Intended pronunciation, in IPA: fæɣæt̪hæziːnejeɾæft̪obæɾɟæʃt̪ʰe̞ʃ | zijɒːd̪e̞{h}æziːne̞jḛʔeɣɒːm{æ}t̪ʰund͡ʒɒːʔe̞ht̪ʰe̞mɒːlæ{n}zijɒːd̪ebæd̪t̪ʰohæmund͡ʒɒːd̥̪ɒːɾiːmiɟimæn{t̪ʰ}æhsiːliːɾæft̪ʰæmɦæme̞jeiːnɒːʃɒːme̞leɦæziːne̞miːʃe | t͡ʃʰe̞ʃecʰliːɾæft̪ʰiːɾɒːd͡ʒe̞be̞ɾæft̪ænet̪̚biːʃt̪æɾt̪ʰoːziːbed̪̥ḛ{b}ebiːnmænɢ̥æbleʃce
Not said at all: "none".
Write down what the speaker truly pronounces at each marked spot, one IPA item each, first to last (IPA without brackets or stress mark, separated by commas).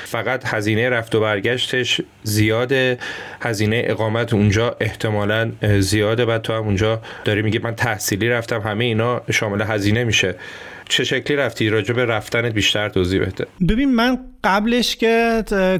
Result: h, æ, n, t̪ʰ, b